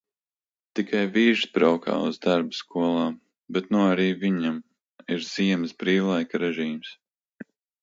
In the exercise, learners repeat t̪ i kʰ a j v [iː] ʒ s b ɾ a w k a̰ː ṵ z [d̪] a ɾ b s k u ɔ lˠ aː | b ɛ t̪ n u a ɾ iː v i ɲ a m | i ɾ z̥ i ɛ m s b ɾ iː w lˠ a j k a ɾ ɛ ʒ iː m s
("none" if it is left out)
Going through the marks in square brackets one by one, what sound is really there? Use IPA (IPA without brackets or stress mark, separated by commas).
iː, d̪